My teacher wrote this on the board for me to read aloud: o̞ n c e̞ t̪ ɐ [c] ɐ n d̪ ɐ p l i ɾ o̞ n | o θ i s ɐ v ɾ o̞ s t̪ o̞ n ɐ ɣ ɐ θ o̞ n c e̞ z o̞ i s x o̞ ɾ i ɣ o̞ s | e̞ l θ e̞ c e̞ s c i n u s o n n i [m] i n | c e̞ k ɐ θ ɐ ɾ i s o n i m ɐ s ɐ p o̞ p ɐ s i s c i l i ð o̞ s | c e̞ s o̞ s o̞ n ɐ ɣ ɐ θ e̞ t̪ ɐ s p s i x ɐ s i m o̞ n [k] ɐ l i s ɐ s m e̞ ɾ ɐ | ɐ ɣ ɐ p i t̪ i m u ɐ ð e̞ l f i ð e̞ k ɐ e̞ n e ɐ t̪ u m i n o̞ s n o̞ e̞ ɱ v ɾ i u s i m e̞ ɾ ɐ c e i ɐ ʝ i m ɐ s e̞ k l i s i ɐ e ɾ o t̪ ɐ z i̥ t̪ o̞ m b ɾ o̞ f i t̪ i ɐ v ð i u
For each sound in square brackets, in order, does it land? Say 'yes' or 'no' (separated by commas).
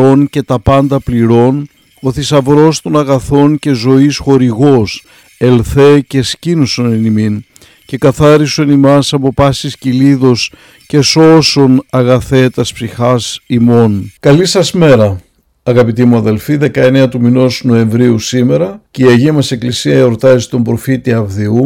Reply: no, yes, yes